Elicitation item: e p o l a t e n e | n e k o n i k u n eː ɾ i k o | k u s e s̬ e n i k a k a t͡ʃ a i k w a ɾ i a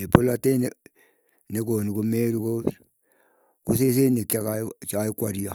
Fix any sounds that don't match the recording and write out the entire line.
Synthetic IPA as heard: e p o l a t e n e | n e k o n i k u m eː ɾ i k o | k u s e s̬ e n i k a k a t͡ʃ a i k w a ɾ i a